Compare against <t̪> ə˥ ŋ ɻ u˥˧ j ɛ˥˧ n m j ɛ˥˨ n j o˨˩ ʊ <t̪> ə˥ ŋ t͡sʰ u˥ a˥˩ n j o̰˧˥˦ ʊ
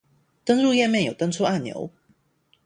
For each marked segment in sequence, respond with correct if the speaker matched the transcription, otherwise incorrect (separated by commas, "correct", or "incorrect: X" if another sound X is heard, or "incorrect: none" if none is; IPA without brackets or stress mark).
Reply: correct, correct